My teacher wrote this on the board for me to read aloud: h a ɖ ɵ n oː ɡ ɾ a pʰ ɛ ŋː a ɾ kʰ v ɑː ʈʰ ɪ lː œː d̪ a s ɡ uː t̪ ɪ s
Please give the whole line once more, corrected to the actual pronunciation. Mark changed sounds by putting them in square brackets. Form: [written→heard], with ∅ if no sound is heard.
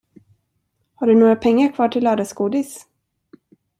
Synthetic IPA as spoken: h a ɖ ɵ n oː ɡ ɾ a pʰ ɛ ŋː a ɾ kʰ v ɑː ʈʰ ɪ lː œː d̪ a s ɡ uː [t̪→d̪] ɪ s